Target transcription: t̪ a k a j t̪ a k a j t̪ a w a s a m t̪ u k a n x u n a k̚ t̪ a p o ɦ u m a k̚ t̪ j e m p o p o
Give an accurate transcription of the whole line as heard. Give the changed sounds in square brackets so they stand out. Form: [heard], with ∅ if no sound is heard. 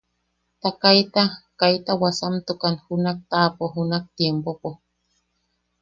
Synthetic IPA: t̪ a k a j t̪ a k a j t̪ a w a s a m t̪ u k a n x u n a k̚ t̪ a p o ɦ u [n] a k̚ t̪ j e m p o p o